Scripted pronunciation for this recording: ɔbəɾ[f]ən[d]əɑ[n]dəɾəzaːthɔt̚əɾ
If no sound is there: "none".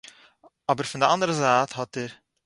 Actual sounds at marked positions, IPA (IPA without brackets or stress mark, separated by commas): f, d, n